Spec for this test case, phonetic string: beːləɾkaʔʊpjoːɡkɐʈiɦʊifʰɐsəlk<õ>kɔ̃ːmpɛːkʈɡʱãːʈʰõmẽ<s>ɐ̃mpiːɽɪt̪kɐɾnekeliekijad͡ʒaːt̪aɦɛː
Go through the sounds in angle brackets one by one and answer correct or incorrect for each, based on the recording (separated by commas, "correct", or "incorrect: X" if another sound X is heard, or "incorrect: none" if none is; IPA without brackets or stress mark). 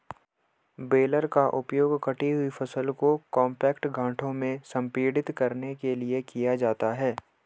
incorrect: o, correct